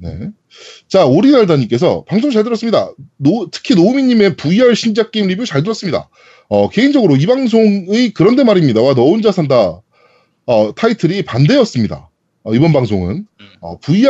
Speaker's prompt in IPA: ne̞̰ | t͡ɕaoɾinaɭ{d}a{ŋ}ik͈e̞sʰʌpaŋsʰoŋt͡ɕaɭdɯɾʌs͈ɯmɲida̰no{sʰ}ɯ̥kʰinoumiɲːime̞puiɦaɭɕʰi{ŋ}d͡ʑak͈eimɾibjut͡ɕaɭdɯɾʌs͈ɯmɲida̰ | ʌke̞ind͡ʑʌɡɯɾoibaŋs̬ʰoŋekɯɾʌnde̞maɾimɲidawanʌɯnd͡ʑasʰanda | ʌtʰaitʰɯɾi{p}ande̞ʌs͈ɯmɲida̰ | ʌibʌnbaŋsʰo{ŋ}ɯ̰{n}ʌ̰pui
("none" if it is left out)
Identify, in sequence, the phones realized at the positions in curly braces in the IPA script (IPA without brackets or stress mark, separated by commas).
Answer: d, ɲ, tʰ, n, p, ŋ, n